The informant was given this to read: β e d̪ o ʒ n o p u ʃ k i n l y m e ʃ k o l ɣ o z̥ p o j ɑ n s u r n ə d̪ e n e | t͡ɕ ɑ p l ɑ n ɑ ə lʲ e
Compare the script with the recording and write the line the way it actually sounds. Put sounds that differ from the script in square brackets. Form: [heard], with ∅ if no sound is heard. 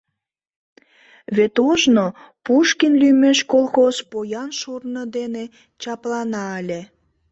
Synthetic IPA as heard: β e [t̪] o ʒ n o p u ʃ k i n l y m e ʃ k o l [x] o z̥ p o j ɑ n [ʃ] u r n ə d̪ e n e | t͡ɕ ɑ p l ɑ n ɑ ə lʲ e